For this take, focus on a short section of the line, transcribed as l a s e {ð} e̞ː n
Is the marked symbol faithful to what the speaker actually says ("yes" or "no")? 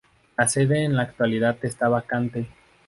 yes